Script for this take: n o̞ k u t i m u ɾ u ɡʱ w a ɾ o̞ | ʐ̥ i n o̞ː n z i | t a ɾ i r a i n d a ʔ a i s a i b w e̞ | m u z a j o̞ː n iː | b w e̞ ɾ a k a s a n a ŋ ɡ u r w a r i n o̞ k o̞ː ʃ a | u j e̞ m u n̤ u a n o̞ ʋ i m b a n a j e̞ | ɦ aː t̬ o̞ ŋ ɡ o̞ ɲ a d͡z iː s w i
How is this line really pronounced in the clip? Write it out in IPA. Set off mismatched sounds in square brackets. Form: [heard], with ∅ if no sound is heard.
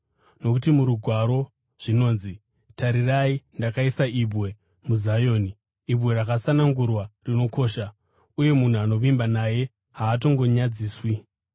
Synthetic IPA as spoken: n o̞ k u t i m u ɾ u ɡʱ w a ɾ o̞ | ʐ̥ i n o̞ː n z i | t a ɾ i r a i n d a [k] a i s a i b w e̞ | m u z a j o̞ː n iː | b w e̞ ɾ a k a s a n a ŋ ɡ u r w a r i n o̞ k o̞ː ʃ a | u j e̞ m u n̤ u a n o̞ ʋ i m b a n a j e̞ | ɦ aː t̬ o̞ ŋ ɡ o̞ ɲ a d͡z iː s w i